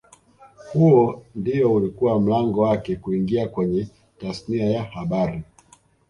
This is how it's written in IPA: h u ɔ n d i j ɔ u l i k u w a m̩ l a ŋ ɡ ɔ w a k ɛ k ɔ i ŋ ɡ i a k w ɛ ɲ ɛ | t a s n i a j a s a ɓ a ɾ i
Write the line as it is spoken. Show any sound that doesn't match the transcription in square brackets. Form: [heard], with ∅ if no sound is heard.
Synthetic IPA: h u ɔ n d i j ɔ u l i k u w a m̩ l a ŋ ɡ ɔ w a k ɛ k [u] i ŋ ɡ i a k w ɛ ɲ ɛ | t a s n i a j a [h] a ɓ a ɾ i